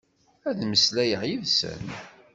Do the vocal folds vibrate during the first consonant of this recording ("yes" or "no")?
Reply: yes